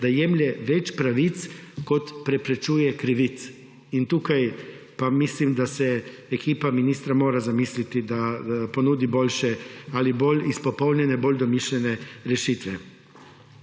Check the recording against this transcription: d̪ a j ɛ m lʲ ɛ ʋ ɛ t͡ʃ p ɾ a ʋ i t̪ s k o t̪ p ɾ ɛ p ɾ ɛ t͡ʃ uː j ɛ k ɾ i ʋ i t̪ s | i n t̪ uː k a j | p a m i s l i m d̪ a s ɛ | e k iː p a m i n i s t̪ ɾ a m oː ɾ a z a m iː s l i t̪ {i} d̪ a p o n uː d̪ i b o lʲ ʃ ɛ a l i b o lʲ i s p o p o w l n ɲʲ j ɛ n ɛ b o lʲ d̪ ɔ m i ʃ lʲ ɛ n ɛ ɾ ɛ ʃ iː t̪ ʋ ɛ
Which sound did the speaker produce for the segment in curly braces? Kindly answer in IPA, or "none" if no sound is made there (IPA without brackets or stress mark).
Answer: i